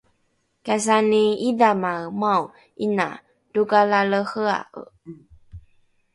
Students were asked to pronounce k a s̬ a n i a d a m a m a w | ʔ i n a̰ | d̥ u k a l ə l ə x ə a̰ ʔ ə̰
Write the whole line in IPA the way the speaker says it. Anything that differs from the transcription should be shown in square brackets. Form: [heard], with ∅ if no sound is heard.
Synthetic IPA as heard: k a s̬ a n i [i] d a m a m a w | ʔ i n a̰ | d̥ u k a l [a] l ə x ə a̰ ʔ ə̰